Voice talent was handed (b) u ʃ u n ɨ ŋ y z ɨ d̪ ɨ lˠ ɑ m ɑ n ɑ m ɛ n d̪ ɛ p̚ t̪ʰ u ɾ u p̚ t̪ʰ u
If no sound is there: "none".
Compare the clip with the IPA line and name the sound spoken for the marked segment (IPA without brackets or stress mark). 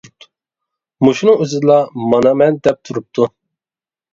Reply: m